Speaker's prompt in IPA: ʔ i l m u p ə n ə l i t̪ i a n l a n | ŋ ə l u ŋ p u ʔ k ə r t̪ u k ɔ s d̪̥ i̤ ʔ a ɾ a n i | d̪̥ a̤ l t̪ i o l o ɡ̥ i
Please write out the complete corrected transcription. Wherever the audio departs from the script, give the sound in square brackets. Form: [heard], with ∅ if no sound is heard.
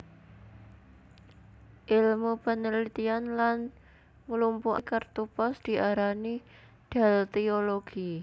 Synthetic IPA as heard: ʔ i l m u p ə n ə l i t̪ i a n l a n | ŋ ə l u [m] p u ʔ k ə r t̪ u [p] ɔ s d̪̥ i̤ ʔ a ɾ a n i | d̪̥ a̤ l t̪ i o l o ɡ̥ i